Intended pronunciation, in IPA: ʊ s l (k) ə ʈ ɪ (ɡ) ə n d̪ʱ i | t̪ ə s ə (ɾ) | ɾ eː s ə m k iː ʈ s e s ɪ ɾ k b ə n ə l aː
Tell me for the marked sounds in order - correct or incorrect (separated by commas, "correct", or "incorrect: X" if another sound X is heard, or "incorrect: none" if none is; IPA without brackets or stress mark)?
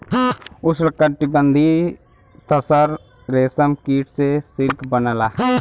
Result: correct, incorrect: b, correct